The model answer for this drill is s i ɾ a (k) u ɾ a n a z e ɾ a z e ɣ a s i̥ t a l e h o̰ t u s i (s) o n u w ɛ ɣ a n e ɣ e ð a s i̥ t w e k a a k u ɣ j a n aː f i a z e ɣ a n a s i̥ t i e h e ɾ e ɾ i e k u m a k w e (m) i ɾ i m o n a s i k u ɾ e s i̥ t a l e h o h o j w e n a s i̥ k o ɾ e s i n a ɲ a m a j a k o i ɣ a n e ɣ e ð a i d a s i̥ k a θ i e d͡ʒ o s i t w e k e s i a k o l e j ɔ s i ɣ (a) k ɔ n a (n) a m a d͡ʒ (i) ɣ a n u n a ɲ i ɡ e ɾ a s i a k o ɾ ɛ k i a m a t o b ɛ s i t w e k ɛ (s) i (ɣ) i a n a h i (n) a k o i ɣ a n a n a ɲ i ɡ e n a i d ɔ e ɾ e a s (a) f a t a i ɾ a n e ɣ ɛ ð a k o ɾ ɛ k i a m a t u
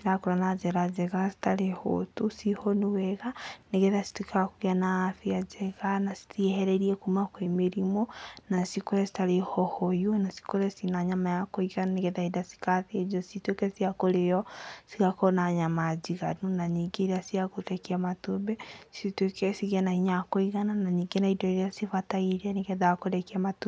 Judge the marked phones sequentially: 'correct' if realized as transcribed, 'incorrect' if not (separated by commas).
correct, incorrect, correct, correct, incorrect, correct, correct, correct, incorrect, incorrect